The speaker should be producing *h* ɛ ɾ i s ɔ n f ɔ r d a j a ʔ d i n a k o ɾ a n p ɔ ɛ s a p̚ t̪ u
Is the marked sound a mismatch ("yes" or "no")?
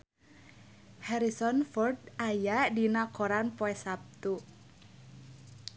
no